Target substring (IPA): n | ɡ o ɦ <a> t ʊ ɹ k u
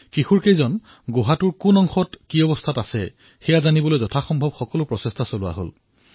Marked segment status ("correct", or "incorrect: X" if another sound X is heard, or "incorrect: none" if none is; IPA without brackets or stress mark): correct